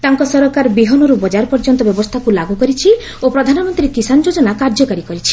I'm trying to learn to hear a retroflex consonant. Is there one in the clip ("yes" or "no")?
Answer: no